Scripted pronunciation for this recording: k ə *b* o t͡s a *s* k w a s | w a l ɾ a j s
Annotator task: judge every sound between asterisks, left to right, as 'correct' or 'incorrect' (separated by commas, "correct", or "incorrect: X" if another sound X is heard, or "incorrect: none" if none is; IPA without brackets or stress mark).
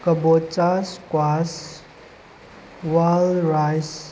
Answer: correct, correct